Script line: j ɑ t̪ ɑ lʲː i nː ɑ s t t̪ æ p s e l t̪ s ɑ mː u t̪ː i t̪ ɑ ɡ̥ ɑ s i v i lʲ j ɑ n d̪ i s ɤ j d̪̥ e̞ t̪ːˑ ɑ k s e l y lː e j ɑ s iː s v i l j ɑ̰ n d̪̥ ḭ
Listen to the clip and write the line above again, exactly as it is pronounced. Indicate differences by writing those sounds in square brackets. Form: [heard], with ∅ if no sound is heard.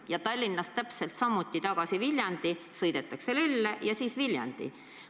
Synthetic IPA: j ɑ t̪ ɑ lʲː i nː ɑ s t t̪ æ p s e l t̪ s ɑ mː u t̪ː i t̪ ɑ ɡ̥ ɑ s i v i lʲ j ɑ n d̪ i s ɤ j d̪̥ e̞ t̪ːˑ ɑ k s e l y lː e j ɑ s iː s v i l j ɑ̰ n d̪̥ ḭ